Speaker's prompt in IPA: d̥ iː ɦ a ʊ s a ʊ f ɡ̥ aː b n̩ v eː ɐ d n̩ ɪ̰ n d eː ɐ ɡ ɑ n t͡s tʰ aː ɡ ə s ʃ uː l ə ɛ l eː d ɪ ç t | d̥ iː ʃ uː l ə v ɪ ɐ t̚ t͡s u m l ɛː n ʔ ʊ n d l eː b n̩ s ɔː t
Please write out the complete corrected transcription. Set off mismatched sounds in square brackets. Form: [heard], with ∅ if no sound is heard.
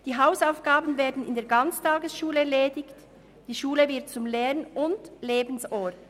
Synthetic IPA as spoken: d̥ iː ɦ a ʊ s a ʊ f ɡ̥ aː b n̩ v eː ɐ d n̩ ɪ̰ n d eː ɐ ɡ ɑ n t͡s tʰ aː ɡ ə s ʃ uː l ə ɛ l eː d ɪ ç t | d̥ iː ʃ uː l ə v ɪ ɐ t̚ t͡s [ʊ] m l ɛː n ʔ ʊ n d l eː b n̩ s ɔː t

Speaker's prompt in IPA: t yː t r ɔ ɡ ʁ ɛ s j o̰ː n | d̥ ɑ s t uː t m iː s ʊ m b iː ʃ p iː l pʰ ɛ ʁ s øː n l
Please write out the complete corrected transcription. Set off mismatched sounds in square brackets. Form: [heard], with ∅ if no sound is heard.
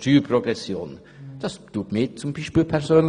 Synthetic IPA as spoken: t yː [p] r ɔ ɡ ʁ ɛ s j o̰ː n | d̥ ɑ s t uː t m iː [t͡s] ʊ m b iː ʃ p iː l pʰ ɛ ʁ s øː n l

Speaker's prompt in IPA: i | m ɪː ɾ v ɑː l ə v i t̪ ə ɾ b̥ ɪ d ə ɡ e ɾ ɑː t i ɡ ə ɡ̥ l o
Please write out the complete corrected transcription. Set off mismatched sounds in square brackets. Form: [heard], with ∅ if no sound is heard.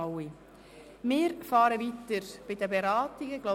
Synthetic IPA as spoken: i | m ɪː ɾ [f] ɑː [ɾ] ə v i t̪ ə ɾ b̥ ɪ d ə [b] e ɾ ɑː t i ɡ ə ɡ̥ l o

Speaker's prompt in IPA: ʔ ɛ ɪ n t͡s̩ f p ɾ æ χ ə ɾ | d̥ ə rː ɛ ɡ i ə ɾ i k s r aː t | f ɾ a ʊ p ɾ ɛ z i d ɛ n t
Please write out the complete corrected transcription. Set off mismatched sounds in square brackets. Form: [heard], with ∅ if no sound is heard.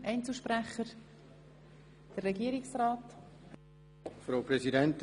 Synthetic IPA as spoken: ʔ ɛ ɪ n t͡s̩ [ʃ] p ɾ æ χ ə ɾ | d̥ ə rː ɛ ɡ i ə ɾ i k s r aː t | f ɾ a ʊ p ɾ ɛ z i d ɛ n t

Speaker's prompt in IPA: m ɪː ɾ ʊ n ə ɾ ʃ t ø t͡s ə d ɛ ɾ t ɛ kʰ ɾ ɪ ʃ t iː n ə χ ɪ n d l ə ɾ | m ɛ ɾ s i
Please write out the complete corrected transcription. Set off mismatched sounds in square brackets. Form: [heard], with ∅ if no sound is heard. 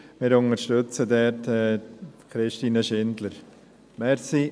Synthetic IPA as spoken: m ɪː ɾ ʊ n ə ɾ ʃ t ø t͡s ə d ɛ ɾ t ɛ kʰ ɾ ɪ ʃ t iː n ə [ʃ] ɪ n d l ə ɾ | m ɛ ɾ s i

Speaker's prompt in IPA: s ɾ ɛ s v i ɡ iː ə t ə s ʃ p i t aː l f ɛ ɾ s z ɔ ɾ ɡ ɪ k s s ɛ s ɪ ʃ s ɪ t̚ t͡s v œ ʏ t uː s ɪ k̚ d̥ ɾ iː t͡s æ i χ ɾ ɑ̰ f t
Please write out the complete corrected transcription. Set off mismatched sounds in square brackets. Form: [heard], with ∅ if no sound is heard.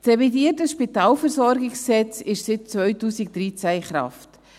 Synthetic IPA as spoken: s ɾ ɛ [∅] v i [d] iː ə t ə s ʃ p i t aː l f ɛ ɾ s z ɔ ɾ ɡ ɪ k s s ɛ [t͡s] ɪ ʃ s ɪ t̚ t͡s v œ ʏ t uː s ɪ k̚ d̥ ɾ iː t͡s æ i χ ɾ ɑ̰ f t

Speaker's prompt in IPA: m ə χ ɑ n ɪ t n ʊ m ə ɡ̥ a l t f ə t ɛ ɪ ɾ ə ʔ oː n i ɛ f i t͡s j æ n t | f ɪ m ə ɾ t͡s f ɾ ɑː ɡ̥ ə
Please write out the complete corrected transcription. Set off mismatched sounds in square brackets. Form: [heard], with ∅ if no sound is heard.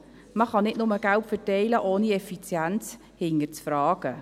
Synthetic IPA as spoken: m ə χ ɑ n ɪ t n ʊ m ə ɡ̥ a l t f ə t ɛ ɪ [l] ə ʔ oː n i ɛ f i t͡s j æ n [t͡s] | [h] ɪ [ŋ] ə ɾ t͡s f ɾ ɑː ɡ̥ ə

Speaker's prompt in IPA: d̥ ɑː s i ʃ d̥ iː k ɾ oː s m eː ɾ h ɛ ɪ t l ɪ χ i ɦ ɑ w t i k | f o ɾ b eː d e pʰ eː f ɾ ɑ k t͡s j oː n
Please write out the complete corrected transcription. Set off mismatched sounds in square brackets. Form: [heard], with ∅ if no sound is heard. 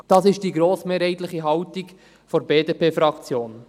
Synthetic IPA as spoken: d̥ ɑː s [ɪ] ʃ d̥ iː [ɡ] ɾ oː s m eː ɾ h ɛ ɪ t l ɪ χ i ɦ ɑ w t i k | f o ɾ b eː d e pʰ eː f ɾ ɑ k t͡s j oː n

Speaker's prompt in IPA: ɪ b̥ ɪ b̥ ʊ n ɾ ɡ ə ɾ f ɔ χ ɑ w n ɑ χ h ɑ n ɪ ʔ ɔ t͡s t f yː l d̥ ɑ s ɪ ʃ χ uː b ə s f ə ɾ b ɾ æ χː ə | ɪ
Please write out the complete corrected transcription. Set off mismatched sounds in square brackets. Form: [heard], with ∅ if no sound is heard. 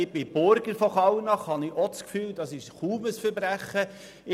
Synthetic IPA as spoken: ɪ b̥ ɪ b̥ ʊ [∅] ɾ ɡ ə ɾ f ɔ χ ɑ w n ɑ χ h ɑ n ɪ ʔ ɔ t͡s [k] f yː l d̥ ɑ s ɪ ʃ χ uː [m] ə s f ə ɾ b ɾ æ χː ə | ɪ

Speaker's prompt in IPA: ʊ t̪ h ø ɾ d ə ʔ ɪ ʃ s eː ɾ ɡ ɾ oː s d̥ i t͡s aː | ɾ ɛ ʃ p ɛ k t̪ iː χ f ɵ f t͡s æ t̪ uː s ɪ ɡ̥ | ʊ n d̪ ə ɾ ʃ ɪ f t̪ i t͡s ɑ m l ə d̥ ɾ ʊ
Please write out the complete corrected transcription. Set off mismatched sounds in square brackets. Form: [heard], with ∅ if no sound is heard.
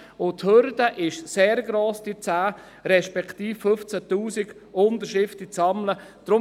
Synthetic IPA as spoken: ʊ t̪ h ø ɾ d ə ʔ ɪ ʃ s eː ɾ ɡ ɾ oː s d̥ i t͡s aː | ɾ ɛ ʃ p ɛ k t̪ iː [f] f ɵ f t͡s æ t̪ uː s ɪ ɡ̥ | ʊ n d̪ ə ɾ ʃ ɪ f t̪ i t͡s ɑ m l ə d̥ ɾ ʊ

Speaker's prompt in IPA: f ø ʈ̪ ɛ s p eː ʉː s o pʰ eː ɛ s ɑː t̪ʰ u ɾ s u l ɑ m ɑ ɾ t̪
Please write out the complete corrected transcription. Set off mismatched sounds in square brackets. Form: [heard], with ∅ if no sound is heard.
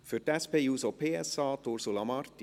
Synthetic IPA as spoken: f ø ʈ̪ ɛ s p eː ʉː s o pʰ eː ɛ s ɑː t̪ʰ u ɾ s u l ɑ m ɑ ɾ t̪

